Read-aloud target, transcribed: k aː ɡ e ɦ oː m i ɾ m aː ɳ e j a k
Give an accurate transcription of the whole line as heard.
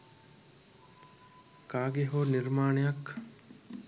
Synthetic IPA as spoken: k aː ɡ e ɦ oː n i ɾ m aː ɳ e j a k